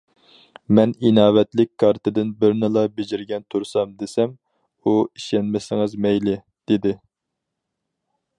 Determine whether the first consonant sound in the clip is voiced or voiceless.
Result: voiced